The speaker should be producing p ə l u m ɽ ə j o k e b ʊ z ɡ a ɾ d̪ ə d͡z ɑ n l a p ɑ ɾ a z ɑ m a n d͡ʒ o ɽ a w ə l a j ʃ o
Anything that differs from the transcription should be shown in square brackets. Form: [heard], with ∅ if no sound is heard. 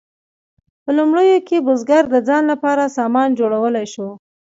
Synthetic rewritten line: p ə l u m ɽ ə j o k e b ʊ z ɡ a ɾ d̪ ə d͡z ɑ n l a p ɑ ɾ a [s] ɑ m [ɑ] n d͡ʒ o ɽ a w ə l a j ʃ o